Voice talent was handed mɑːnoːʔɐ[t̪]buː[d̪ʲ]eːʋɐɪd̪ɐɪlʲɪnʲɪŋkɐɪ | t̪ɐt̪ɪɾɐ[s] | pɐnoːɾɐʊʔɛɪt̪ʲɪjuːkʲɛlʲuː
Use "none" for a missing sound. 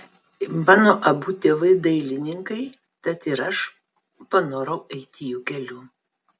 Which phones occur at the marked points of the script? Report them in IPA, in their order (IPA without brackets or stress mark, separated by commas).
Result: none, t̪ʲ, ʃ